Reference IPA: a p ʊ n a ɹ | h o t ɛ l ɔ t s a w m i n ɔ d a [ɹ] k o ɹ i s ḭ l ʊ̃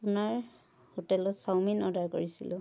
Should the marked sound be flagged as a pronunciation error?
no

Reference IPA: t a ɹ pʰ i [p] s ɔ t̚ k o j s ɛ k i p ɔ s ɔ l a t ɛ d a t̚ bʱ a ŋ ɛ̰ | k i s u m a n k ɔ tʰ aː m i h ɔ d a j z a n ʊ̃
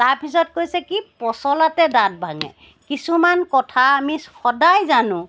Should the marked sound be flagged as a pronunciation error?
yes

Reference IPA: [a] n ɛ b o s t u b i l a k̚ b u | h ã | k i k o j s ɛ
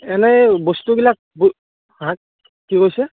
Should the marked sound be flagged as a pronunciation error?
yes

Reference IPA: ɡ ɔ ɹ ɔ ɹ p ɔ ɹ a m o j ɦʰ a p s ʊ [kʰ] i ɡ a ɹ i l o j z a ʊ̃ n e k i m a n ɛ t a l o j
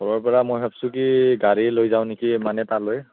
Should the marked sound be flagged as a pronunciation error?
yes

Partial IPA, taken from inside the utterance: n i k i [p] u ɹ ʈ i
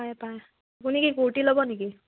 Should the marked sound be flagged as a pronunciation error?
yes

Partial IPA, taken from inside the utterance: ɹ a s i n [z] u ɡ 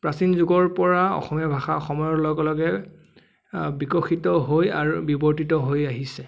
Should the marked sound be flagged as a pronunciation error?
no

